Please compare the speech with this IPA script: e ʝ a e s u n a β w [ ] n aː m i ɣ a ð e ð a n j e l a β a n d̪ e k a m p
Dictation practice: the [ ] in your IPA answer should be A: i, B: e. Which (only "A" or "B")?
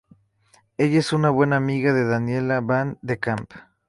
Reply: B